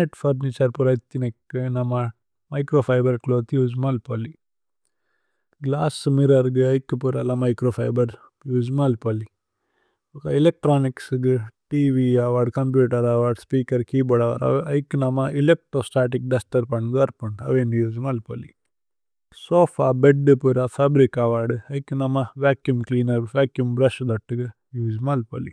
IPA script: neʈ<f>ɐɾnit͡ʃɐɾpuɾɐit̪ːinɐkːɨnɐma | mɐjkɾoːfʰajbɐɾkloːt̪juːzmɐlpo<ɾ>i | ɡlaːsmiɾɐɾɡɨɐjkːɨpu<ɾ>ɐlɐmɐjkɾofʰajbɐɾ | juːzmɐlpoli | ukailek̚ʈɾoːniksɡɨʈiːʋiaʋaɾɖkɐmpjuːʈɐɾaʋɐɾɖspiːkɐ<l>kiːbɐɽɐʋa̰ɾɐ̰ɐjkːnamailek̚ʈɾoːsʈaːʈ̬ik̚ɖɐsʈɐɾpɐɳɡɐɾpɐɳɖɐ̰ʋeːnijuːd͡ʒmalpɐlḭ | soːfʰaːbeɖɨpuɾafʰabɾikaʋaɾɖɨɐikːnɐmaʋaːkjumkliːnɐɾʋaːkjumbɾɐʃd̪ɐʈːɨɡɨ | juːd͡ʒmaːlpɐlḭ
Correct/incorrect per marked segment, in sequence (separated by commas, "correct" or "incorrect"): correct, incorrect, correct, incorrect